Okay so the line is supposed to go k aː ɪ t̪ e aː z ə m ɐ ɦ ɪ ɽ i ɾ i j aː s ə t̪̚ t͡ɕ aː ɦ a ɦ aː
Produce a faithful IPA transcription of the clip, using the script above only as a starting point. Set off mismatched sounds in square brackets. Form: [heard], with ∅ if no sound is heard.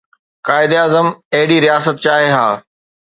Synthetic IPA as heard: k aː ɪ [d̪] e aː z ə m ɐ ɦ ɪ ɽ i ɾ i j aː s ə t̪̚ t͡ɕ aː ɦ [e] ɦ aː

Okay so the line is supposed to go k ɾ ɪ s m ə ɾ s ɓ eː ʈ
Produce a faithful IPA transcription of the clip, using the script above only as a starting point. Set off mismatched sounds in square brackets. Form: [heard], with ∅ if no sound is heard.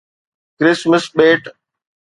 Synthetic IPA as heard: k ɾ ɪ s m ə [∅] s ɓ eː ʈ

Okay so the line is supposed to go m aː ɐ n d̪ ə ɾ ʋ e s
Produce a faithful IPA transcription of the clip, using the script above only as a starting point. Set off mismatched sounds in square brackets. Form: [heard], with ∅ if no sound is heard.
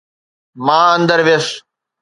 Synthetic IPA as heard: m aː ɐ n d̪ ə ɾ ʋ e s

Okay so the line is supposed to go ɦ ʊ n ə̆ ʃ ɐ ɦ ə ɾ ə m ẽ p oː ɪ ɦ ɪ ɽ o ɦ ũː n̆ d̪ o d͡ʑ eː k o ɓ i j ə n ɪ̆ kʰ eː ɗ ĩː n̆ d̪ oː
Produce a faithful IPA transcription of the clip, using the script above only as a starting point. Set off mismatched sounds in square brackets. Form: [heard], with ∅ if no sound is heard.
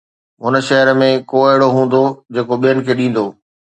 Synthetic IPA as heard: ɦ ʊ n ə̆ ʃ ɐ ɦ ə ɾ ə m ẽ [k] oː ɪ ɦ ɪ ɽ o ɦ ũː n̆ d̪ o d͡ʑ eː k o ɓ i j ə n ɪ̆ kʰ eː ɗ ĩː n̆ d̪ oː

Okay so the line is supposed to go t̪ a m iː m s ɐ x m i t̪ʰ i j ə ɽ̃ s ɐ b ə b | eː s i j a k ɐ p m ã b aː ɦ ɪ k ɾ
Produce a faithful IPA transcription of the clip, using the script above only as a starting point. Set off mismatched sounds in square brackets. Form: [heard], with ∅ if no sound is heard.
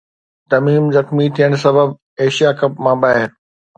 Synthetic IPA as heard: t̪ [ɐ] m iː m [z] ɐ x m i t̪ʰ i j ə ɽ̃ s ɐ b ə b | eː [ʃ] i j a k ɐ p m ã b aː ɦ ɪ [∅] ɾ

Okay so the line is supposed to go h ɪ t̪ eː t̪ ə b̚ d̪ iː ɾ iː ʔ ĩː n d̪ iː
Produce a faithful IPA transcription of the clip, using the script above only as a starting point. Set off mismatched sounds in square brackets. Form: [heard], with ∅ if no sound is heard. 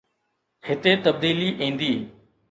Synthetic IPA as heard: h ɪ t̪ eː t̪ ə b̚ d̪ iː [l] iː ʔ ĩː n d̪ iː

